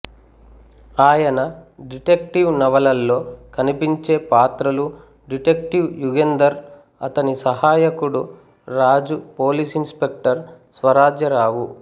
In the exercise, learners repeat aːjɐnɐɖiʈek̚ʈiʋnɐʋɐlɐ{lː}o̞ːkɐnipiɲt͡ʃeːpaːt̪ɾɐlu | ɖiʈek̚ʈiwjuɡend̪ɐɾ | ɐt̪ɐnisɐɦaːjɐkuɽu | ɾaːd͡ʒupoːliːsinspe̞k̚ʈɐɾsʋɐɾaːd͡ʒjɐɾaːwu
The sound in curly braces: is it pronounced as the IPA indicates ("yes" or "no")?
yes